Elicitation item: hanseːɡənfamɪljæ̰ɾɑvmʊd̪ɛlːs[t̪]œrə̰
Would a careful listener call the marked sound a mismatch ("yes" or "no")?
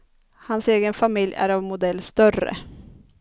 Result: no